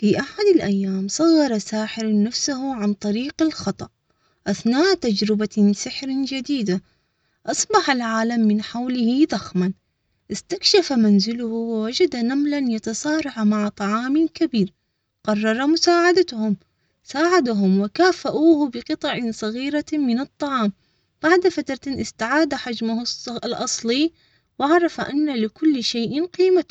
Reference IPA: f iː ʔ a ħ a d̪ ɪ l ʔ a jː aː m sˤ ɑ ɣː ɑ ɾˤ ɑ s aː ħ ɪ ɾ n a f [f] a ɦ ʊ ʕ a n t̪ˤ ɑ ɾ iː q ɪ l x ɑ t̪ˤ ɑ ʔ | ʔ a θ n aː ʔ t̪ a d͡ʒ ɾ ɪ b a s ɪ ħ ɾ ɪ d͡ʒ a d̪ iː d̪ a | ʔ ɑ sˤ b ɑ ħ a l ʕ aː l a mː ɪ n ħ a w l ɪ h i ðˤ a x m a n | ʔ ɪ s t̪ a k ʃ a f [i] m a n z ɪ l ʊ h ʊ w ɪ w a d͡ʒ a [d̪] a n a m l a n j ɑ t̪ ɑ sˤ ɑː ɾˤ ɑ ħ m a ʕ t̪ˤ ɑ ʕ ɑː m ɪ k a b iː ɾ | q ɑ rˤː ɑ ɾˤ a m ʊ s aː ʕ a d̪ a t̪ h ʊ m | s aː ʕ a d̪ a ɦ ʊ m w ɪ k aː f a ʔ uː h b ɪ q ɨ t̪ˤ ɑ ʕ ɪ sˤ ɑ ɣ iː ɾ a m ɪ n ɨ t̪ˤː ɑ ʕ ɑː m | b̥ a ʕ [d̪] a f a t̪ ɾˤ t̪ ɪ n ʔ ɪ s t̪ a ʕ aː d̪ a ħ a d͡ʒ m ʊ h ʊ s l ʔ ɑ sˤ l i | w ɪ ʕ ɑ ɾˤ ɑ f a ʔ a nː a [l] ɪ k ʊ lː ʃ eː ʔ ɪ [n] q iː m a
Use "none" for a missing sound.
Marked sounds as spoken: s, a, d̪, d̪, l, n

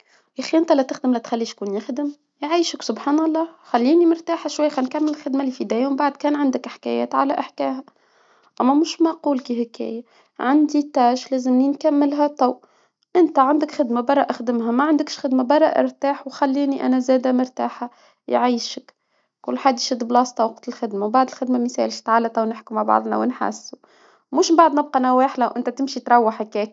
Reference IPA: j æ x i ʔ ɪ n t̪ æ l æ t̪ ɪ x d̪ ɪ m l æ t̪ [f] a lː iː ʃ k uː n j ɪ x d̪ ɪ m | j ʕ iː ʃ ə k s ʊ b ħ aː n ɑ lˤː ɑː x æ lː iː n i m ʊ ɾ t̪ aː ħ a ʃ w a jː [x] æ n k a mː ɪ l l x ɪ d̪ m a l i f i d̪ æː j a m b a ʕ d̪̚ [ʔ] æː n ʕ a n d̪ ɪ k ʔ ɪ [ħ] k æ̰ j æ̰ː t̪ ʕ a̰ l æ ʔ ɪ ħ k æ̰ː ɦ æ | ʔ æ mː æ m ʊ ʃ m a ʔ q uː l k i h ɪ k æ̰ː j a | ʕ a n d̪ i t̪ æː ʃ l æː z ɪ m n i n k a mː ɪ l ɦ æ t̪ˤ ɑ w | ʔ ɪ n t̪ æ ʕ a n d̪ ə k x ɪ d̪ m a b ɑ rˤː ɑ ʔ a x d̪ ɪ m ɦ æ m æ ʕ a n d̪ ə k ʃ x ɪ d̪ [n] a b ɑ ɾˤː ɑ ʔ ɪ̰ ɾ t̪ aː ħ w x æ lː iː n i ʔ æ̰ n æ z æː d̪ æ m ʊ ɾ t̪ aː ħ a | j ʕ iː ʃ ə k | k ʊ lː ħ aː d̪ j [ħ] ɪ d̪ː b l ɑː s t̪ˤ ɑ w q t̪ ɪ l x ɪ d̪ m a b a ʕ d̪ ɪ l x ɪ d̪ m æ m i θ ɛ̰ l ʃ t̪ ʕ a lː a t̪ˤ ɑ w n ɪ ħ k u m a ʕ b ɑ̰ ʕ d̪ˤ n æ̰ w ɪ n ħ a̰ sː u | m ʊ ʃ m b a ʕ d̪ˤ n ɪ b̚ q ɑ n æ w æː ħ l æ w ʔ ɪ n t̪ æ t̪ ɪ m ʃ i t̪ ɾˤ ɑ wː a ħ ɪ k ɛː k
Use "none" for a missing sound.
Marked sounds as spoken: x, x, k, ħ, m, ʃ

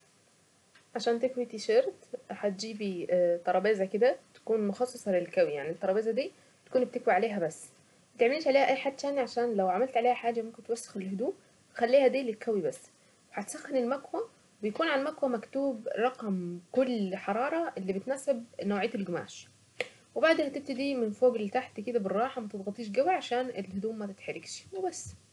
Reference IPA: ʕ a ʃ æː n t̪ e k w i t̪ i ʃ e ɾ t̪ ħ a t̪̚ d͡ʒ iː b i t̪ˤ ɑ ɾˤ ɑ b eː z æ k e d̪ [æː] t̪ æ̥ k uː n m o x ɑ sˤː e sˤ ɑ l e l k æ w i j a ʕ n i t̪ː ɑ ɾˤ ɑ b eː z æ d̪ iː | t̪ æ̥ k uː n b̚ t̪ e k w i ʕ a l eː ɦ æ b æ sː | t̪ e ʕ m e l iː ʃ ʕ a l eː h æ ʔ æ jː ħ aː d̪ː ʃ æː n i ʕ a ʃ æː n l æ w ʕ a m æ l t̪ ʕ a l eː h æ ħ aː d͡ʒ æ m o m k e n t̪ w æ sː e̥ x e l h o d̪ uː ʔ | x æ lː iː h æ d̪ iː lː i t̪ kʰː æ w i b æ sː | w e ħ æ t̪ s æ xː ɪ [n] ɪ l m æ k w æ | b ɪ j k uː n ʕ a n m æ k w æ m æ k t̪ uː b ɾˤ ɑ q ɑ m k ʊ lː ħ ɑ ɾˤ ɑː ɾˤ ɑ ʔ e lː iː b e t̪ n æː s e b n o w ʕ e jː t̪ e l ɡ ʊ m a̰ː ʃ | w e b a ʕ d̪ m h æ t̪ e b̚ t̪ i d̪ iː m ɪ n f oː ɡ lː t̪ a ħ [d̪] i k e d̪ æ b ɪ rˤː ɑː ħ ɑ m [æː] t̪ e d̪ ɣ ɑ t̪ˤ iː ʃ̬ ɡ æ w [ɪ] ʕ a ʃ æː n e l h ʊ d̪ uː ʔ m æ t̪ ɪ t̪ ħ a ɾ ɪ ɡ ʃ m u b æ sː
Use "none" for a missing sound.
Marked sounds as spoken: æ, n, t̪, æ, i

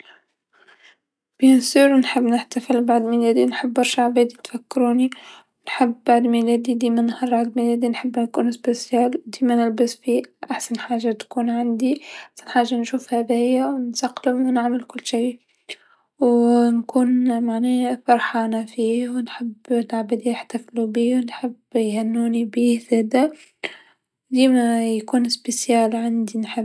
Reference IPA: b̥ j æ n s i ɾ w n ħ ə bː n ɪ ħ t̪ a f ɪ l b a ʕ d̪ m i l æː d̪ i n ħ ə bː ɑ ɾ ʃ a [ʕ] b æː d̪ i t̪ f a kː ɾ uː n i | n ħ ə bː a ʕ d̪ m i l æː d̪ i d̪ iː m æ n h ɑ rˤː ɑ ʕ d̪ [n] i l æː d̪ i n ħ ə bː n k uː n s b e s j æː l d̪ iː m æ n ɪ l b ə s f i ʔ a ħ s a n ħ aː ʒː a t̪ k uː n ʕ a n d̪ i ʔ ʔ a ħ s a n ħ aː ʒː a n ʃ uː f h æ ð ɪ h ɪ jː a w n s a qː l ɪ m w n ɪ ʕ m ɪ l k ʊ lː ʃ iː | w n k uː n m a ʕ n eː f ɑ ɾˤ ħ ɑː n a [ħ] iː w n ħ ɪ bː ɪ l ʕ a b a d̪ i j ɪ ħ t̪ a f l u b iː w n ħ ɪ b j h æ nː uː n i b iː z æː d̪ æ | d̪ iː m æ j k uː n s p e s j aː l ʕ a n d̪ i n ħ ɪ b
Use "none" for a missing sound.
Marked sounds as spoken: ʕ, m, f

